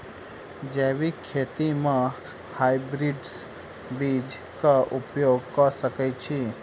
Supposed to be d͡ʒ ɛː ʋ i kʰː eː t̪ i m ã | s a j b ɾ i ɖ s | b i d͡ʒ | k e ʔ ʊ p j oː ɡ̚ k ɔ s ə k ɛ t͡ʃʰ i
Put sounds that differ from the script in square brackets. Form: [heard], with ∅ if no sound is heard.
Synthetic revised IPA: d͡ʒ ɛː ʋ i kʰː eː t̪ i m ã | [h] a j b ɾ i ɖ s | b i d͡ʒ | k [a] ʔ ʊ p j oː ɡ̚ k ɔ s ə k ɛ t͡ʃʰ i